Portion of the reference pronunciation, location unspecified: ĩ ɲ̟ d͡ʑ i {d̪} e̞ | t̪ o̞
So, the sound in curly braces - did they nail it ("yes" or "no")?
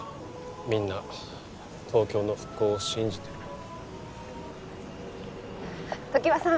no